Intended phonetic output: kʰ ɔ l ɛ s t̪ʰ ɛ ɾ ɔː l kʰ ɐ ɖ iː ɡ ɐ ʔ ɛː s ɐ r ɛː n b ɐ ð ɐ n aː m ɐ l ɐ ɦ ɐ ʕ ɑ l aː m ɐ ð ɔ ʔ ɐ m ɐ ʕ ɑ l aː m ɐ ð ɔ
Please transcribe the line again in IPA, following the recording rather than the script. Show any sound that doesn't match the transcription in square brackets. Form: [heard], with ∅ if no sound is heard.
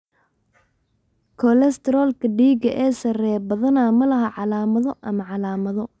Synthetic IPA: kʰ ɔ l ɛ s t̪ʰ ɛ ɾ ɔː l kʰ ɐ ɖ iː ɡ ɐ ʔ ɛː s ɐ r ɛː [∅] b ɐ ð ɐ n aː m ɐ l ɐ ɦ ɐ ʕ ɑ l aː m ɐ ð ɔ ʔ ɐ m ɐ ʕ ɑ l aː m ɐ ð ɔ